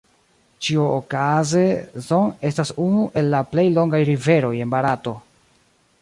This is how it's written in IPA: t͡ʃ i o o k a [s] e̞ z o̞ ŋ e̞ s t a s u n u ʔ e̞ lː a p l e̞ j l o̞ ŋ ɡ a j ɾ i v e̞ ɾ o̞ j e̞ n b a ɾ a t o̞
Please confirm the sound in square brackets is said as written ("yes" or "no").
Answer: no